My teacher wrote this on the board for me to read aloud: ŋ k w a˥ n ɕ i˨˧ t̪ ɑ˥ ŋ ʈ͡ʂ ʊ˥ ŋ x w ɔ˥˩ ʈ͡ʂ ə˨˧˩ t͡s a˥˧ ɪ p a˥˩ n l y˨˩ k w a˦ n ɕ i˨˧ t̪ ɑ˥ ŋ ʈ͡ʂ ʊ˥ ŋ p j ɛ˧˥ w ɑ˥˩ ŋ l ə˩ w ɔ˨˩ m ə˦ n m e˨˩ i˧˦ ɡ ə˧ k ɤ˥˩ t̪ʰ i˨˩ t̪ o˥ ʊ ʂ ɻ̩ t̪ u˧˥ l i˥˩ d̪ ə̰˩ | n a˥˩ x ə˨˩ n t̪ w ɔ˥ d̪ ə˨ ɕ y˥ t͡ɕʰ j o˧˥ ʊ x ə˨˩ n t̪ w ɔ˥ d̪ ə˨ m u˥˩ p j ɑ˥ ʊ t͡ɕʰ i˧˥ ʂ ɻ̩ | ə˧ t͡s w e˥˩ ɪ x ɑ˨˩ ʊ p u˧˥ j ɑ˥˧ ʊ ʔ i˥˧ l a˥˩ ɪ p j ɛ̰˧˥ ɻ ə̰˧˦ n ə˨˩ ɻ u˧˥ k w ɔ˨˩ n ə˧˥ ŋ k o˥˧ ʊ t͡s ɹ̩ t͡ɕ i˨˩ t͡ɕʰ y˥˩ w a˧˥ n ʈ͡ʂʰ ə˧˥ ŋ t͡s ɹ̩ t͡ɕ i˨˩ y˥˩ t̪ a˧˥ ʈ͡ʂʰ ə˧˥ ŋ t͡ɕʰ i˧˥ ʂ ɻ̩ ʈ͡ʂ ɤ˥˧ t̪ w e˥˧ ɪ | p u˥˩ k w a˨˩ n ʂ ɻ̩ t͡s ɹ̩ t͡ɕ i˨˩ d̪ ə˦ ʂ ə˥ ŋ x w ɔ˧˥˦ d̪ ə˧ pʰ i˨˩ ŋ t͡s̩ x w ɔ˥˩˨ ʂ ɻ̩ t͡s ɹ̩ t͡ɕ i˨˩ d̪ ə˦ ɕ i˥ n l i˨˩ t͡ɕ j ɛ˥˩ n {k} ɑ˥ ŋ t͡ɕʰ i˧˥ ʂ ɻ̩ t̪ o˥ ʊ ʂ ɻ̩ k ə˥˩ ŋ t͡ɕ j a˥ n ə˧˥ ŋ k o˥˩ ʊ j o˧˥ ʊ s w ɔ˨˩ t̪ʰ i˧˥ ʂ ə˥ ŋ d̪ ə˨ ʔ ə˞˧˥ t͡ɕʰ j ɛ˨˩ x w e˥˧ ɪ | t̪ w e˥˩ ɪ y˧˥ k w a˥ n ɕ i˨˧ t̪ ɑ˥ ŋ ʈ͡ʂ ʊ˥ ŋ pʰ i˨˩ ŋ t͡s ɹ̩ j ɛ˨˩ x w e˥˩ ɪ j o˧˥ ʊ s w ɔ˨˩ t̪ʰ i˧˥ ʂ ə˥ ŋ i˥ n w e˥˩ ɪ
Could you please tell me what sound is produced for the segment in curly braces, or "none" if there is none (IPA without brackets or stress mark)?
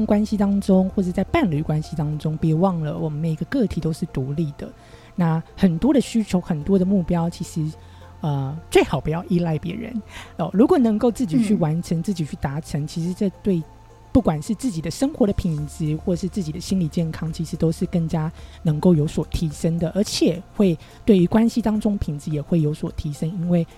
kʰ